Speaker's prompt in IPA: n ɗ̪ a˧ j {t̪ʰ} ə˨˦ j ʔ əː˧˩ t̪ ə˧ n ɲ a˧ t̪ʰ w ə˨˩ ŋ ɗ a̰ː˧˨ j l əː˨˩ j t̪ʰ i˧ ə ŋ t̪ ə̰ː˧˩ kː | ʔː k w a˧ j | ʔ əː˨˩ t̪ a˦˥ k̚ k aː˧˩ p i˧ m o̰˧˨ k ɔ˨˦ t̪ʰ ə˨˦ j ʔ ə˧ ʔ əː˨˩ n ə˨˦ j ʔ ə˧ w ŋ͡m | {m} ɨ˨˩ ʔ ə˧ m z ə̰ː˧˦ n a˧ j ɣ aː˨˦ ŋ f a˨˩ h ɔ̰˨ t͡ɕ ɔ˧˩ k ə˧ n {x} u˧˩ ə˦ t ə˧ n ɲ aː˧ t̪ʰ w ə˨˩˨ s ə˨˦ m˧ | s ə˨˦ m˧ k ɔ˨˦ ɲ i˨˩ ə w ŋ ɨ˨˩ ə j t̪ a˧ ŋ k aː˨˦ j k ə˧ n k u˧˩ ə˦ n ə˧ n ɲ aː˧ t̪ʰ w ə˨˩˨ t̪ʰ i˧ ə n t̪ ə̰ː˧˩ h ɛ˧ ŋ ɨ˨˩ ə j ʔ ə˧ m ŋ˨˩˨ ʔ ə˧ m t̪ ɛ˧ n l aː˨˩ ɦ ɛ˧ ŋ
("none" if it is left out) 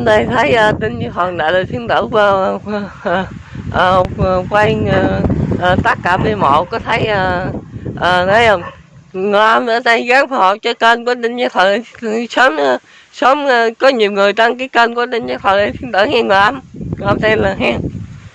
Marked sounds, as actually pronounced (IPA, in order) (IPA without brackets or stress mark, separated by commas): t̪ʰ, ŋ, k